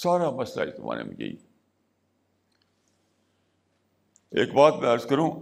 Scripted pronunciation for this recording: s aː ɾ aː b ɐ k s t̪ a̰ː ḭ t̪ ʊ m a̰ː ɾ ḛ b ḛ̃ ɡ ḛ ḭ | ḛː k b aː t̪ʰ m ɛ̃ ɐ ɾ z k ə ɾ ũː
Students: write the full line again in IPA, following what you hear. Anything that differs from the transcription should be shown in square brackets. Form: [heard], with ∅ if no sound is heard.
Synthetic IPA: s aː ɾ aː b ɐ [∅] s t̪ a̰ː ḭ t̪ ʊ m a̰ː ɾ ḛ [m] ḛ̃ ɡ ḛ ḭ | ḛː k b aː [t̪] m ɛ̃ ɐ ɾ z k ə ɾ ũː